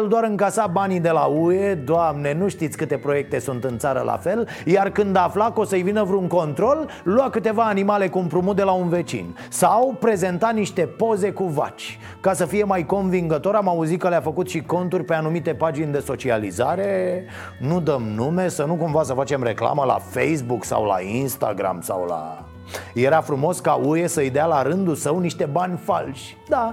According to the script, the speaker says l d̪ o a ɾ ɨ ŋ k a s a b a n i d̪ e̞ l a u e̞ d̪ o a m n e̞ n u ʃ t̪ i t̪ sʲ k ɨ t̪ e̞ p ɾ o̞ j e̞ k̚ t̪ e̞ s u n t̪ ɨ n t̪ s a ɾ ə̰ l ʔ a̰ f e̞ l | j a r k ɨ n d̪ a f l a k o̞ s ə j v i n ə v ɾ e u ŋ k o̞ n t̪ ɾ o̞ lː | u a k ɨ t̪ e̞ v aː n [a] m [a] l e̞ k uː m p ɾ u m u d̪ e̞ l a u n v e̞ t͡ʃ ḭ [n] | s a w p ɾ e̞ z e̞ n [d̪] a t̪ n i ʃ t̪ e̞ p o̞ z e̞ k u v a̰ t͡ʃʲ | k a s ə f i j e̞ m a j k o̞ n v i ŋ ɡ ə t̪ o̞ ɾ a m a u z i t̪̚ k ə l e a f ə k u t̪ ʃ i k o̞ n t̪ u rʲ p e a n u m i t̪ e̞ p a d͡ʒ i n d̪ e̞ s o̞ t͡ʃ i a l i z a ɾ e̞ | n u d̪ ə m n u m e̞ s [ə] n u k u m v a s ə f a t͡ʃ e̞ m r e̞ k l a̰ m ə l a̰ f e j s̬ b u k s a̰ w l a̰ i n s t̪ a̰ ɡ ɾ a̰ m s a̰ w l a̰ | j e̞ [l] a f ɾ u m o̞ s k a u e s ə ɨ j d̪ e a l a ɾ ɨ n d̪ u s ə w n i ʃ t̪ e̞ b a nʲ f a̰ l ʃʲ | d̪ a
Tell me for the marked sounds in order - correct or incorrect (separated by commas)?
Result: incorrect, correct, correct, incorrect, correct, incorrect